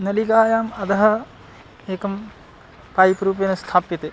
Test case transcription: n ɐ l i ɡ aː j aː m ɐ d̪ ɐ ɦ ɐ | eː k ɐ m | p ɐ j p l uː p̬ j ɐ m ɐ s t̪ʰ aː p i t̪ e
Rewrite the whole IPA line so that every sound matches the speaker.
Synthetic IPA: n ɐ l i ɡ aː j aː m ɐ d̪ ɐ ɦ ɐ | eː k ɐ m | p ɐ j p ɾ uː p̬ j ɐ n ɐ s t̪ʰ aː p i t̪ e